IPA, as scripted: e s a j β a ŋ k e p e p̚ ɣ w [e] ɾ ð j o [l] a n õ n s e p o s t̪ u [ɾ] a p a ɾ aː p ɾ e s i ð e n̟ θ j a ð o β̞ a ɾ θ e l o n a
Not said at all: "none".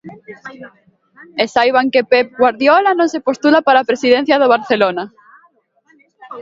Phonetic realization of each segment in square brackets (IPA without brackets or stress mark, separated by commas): a, l, l